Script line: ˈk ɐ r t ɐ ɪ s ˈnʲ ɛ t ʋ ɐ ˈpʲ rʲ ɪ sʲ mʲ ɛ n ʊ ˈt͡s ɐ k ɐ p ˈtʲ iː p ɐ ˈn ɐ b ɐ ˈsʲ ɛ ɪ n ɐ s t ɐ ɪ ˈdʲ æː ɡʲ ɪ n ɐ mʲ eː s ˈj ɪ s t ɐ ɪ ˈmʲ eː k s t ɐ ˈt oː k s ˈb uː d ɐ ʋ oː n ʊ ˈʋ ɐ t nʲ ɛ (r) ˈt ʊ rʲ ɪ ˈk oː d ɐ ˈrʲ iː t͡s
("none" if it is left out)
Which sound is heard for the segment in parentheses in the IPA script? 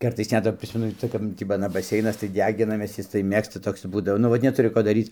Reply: none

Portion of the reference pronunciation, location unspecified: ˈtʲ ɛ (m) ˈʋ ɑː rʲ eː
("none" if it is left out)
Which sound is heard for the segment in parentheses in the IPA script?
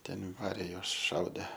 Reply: n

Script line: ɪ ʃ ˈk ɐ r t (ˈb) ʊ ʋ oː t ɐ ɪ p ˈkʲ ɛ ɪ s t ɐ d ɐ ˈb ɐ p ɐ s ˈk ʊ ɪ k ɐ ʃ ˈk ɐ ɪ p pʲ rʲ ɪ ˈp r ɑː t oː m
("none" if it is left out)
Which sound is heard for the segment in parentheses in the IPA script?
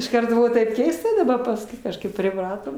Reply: b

